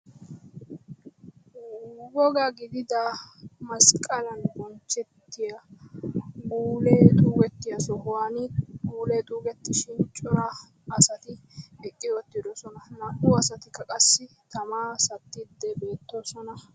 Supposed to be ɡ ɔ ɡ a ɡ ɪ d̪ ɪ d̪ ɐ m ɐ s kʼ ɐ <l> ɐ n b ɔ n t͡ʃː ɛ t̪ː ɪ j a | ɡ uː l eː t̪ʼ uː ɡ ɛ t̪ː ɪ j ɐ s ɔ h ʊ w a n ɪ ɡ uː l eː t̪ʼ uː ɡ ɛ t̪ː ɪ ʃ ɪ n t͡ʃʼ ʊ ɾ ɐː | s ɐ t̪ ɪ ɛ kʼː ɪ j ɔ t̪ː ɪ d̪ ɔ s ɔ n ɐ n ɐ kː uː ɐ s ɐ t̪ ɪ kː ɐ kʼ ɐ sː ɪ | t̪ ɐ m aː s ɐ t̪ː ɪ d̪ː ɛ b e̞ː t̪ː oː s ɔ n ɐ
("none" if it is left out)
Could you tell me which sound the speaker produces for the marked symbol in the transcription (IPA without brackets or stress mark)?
l